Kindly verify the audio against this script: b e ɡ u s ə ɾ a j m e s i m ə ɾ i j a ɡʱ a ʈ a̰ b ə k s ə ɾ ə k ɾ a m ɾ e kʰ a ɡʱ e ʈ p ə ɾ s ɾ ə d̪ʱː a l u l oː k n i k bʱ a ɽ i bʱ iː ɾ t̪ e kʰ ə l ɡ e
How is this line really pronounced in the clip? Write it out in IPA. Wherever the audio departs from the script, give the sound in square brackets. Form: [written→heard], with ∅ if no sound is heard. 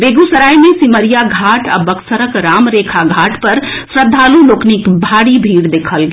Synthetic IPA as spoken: b e ɡ u s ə ɾ a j m e s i m ə ɾ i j a ɡʱ a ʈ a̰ b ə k s ə ɾ ə k ɾ a m ɾ e kʰ a ɡʱ [e→a] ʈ p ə ɾ s ɾ ə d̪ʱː a l u l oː k n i k bʱ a ɽ i bʱ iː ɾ [t̪→d̪] e kʰ ə l ɡ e